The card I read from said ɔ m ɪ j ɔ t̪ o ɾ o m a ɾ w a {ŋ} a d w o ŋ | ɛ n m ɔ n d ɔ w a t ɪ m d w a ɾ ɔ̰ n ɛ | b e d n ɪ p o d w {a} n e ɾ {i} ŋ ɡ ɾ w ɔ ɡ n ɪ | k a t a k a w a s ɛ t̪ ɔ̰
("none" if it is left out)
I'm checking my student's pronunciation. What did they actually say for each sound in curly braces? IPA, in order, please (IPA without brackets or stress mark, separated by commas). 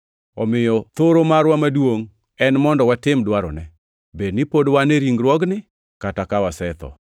m, a, i